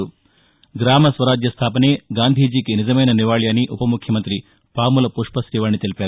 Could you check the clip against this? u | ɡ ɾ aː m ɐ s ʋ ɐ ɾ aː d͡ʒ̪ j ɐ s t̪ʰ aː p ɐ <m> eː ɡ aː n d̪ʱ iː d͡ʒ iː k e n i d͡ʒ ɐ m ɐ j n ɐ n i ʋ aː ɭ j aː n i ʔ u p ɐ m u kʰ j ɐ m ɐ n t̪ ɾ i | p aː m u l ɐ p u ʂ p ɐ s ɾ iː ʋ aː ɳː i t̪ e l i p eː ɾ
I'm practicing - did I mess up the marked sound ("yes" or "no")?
yes